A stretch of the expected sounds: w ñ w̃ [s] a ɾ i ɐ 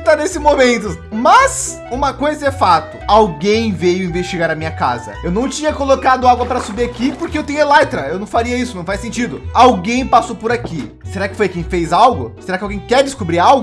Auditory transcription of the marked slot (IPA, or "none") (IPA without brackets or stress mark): f